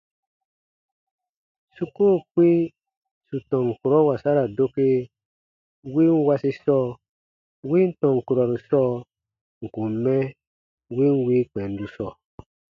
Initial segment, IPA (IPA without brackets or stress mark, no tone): s